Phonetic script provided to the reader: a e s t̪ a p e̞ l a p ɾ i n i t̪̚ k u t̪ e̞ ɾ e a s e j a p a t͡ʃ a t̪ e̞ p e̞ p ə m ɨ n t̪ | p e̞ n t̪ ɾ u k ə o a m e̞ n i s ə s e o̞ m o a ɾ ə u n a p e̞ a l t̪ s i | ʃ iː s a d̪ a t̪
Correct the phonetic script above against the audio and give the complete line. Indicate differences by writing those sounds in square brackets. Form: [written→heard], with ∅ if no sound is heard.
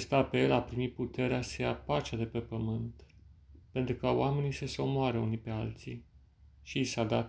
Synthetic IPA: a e s t̪ a p e̞ l a p ɾ i [n→m] i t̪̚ [k→p] u t̪ e̞ ɾ e a s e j a p a t͡ʃ a [t̪→d̪] e̞ p e̞ p ə m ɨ n t̪ | p e̞ n t̪ ɾ u k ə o a m e̞ n i s ə s e o̞ m o a ɾ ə u n [a→i] p e̞ a l t̪ s i | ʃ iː s a d̪ a t̪